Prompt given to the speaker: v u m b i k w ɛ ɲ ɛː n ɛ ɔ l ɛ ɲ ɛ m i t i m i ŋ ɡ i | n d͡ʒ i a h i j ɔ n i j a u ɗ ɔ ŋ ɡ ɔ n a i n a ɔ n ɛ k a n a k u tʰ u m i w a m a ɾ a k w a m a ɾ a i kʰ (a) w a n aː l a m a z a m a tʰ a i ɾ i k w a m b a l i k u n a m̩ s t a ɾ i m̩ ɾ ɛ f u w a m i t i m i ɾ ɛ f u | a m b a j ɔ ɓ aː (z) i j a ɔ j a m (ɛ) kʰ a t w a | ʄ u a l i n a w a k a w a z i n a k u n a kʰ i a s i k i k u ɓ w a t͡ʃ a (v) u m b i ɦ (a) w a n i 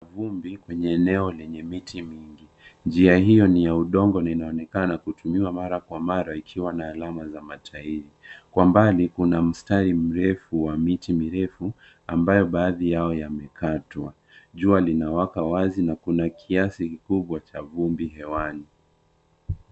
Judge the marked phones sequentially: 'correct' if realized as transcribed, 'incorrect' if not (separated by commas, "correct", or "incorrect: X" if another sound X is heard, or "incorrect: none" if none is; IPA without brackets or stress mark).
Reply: incorrect: i, incorrect: ð, correct, correct, incorrect: ɛ